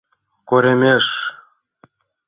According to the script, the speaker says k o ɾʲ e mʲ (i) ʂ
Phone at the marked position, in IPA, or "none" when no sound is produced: e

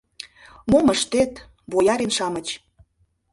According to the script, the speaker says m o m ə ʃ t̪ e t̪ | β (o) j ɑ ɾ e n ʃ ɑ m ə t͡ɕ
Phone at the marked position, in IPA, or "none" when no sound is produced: o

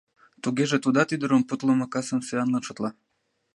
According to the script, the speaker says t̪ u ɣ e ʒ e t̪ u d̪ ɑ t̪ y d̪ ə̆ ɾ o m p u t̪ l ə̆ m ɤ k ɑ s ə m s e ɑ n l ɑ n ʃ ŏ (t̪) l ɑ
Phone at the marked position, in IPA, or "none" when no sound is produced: t̪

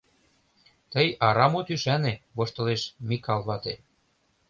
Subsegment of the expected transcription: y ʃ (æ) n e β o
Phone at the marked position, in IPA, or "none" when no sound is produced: æ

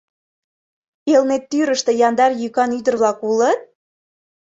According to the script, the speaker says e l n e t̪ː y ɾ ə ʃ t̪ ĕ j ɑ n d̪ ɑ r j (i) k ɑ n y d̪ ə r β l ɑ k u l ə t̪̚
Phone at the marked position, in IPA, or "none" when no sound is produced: y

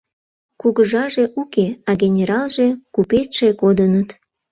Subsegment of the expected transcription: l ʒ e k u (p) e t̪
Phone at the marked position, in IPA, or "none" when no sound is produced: p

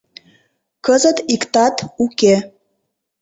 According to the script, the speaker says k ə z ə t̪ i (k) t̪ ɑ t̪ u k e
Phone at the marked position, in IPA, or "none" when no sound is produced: k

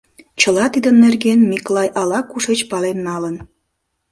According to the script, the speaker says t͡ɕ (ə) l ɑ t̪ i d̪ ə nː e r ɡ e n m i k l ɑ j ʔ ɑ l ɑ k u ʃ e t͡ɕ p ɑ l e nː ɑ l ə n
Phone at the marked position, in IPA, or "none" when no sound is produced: ə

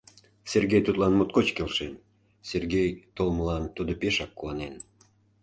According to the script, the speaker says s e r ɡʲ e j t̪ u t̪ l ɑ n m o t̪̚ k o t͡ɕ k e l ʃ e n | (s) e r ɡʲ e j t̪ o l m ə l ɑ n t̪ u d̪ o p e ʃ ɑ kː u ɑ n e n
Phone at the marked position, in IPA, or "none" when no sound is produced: s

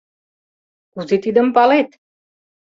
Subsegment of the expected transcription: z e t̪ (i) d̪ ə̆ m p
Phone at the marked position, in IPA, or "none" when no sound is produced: i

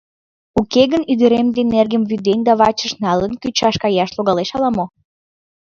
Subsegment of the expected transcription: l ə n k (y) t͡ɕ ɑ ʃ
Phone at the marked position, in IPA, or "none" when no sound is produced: y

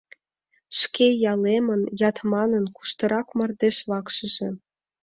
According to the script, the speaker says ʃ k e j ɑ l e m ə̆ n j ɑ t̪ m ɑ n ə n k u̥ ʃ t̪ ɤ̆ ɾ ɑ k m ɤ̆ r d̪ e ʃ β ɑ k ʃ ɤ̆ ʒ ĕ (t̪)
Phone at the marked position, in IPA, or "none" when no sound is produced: none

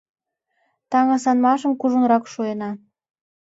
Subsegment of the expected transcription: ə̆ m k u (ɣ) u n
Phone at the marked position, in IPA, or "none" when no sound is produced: ʒ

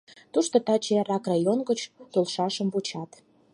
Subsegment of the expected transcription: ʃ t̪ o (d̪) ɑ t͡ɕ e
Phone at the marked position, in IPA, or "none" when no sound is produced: t̪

